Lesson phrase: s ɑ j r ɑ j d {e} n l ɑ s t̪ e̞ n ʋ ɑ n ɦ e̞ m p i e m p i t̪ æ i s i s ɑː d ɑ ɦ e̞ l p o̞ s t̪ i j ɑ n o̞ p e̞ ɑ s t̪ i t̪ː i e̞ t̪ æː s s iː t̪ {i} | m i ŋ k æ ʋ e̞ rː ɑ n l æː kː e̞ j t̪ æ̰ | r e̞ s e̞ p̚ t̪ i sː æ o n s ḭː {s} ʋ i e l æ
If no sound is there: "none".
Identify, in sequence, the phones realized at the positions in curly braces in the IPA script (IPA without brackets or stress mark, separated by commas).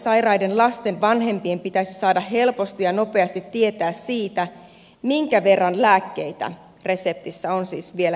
e, æ, s